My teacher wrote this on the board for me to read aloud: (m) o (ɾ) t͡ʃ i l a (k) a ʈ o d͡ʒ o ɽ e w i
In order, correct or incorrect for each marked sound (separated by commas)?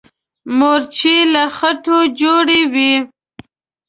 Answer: correct, correct, incorrect